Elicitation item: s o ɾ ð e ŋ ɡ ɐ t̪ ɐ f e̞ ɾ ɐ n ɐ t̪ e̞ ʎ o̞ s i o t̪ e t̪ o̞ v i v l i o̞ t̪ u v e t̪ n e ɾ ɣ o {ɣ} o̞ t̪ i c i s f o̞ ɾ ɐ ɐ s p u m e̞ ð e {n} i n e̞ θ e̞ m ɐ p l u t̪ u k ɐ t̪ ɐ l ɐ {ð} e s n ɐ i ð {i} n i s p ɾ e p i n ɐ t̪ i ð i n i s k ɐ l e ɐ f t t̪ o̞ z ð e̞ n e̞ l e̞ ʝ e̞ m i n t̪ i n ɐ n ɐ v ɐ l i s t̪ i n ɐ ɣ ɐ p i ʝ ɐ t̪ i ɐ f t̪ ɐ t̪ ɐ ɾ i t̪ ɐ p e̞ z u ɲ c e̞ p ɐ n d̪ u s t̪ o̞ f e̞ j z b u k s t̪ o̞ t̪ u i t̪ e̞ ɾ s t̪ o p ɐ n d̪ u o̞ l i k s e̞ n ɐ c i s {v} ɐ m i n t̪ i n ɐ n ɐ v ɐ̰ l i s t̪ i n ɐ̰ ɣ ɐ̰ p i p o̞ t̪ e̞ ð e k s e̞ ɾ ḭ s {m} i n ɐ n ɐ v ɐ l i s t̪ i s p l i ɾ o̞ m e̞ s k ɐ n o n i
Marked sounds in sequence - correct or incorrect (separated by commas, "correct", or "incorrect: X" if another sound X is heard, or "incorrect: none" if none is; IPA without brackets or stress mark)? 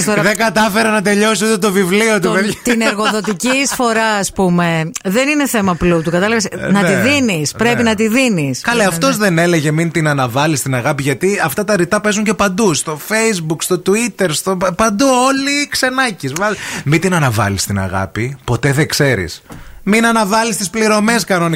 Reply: incorrect: ð, correct, incorrect: v, correct, correct, correct